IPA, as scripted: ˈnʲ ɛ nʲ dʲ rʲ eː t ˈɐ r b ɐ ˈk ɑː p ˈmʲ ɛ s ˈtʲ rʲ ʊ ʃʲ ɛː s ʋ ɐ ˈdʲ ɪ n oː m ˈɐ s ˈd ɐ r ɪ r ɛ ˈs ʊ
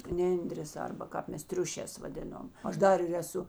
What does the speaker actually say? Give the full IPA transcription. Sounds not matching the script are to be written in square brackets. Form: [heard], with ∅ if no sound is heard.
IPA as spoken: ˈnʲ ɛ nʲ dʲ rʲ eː [s] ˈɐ r b ɐ ˈk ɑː p ˈmʲ ɛ s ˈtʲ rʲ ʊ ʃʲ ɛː s ʋ ɐ ˈdʲ ɪ n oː m ˈɐ [ʃ] ˈd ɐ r ɪ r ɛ ˈs ʊ